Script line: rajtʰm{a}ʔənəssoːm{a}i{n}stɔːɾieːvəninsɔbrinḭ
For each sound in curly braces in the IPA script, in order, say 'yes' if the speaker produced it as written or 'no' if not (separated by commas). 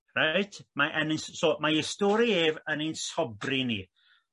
yes, yes, no